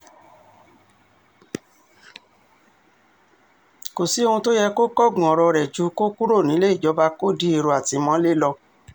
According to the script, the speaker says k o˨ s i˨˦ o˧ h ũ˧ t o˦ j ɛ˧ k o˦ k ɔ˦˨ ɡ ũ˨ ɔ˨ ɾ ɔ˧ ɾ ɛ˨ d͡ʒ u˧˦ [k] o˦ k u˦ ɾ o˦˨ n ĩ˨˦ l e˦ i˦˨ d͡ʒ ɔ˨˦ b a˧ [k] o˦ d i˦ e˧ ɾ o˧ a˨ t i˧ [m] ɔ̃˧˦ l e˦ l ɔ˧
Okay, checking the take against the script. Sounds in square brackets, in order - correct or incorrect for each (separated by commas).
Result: correct, correct, correct